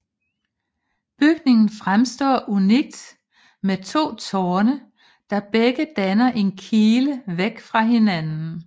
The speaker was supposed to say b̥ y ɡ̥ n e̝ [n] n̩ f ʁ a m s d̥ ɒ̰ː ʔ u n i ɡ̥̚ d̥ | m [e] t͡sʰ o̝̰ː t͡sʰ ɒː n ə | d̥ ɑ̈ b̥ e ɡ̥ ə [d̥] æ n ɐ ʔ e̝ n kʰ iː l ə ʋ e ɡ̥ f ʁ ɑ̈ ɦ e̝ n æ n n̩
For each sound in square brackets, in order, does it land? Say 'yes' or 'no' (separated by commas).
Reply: no, yes, yes